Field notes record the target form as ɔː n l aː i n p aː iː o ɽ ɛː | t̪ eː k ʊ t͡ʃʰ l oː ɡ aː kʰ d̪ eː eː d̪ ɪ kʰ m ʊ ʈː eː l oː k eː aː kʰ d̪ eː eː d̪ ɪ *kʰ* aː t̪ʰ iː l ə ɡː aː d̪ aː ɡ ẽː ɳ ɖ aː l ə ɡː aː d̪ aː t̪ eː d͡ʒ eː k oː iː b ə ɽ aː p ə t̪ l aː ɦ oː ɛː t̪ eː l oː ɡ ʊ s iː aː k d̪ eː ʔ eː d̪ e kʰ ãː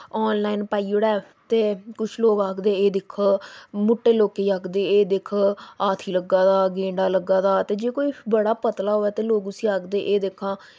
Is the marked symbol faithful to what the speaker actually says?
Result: yes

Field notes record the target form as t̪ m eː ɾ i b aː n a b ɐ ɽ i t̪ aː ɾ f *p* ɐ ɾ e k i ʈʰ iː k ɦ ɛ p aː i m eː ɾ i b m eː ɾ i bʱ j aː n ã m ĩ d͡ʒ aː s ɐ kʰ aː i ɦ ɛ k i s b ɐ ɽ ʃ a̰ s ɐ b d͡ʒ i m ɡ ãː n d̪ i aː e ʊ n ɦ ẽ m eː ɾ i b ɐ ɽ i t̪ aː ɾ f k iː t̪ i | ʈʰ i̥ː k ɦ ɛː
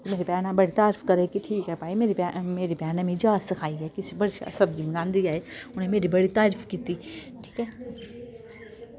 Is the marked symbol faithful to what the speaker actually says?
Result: no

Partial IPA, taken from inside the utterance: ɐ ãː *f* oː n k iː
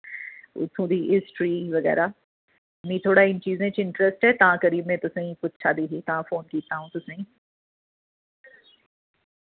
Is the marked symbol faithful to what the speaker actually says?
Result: yes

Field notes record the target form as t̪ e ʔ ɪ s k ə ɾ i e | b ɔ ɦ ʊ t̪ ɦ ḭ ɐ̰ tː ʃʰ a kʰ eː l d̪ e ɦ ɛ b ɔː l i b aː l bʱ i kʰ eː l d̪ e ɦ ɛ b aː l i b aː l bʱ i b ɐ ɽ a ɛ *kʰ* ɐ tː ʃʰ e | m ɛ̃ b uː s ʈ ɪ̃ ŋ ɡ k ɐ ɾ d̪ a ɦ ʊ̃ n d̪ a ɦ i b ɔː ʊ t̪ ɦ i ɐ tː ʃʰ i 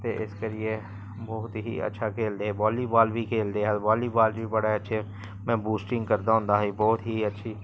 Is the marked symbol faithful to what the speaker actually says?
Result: no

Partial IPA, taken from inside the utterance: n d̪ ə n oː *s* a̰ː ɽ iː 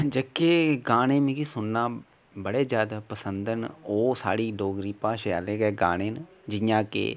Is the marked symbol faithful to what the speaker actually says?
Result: yes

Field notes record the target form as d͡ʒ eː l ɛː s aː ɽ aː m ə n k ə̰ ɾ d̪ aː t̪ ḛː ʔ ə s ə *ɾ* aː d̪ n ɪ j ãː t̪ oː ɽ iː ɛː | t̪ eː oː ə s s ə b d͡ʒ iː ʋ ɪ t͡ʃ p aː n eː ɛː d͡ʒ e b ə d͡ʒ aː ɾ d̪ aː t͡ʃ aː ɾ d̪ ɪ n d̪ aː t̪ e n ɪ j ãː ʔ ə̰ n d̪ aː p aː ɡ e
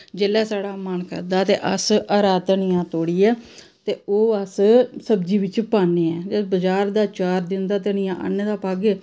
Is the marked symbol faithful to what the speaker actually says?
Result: yes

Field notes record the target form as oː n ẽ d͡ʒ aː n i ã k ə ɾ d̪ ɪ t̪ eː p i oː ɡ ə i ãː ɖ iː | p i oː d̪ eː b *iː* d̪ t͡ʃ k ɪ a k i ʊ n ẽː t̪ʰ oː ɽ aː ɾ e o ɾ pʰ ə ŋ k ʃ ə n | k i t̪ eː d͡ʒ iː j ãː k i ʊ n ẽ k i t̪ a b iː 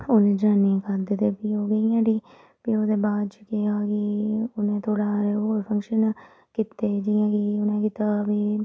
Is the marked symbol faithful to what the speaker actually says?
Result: no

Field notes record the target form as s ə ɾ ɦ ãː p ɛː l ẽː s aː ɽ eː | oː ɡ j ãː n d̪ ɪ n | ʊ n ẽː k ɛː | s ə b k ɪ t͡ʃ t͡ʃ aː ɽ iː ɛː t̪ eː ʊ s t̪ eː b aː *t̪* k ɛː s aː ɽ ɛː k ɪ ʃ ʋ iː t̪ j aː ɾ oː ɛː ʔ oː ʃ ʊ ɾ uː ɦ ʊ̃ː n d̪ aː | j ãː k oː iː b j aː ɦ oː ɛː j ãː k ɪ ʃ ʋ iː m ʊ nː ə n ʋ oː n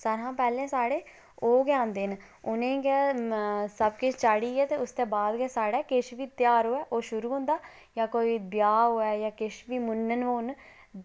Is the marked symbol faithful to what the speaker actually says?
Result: no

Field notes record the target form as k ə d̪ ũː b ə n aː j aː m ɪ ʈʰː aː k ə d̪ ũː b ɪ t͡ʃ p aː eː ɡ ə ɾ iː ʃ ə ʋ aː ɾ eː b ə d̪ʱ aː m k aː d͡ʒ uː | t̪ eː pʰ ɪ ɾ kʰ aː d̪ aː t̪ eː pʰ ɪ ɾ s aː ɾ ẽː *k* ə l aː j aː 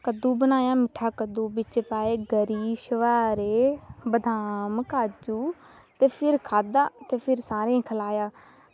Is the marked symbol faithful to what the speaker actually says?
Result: no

